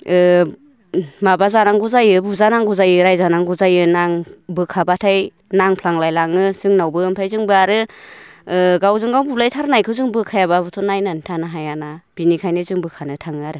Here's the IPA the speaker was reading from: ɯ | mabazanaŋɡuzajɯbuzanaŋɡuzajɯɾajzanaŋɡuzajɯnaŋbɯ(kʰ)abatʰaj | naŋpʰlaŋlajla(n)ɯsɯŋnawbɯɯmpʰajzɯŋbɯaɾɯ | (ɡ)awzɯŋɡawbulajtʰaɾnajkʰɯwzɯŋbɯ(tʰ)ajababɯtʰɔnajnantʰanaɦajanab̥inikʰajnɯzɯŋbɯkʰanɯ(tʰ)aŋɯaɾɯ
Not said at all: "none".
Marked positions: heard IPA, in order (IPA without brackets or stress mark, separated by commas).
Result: kʰ, ŋ, ɡ, kʰ, tʰ